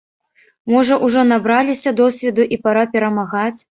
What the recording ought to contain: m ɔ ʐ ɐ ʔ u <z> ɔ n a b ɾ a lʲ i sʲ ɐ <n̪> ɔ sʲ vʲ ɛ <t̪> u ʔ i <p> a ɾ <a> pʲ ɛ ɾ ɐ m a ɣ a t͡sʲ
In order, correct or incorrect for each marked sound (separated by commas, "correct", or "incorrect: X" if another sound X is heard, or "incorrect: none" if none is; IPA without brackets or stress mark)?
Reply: incorrect: ʐ, incorrect: d̪, incorrect: d̪, correct, correct